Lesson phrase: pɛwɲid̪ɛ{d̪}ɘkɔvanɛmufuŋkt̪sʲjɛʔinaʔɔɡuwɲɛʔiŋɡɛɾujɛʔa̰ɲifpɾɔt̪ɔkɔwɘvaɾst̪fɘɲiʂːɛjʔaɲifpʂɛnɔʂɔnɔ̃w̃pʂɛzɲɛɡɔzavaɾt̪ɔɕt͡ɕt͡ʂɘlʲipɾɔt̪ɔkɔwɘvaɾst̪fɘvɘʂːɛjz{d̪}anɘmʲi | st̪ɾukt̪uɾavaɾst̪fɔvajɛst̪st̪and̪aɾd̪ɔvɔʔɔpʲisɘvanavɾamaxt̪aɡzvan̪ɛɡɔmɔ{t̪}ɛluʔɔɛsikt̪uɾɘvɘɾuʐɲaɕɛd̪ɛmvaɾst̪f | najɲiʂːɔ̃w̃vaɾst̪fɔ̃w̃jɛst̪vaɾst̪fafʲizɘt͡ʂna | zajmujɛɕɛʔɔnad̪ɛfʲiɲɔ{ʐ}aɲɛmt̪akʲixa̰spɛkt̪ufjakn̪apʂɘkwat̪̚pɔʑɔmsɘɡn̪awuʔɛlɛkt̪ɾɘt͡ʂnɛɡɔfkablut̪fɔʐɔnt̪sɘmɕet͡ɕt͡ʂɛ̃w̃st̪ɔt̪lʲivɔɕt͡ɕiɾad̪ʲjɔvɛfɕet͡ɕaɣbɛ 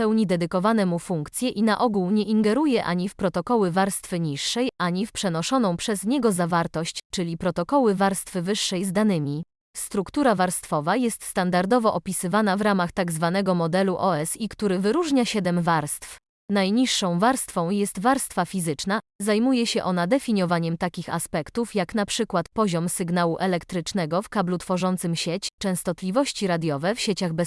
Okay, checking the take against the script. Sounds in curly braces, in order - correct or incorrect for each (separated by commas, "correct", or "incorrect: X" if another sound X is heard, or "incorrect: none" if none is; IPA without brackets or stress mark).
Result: correct, correct, incorrect: d̪, incorrect: v